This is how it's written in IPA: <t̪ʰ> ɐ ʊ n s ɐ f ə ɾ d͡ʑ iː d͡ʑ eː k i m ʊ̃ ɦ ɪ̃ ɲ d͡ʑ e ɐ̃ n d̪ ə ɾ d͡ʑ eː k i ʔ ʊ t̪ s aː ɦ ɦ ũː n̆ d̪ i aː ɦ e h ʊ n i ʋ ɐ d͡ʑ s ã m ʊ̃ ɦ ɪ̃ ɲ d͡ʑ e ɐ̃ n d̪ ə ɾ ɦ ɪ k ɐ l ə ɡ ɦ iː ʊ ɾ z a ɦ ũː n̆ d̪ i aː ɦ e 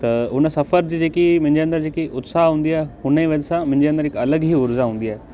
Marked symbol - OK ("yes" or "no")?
no